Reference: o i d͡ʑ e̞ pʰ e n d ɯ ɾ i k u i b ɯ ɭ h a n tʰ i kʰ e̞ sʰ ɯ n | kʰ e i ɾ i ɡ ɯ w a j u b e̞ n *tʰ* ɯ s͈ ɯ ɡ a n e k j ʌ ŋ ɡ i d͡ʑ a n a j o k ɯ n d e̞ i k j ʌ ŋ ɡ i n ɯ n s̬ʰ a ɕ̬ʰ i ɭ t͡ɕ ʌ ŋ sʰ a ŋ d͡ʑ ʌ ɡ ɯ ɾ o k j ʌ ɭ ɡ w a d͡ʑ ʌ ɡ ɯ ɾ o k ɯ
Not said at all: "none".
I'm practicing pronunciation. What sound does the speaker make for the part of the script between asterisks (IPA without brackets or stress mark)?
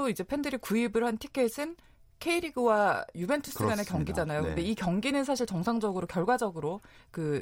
tʰ